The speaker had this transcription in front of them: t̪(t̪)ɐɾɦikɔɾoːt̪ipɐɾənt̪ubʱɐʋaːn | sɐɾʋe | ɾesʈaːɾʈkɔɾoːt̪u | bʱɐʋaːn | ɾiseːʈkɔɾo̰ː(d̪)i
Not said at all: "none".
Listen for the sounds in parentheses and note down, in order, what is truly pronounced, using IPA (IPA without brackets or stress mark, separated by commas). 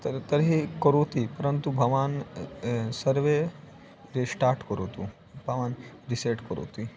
t̪, t̪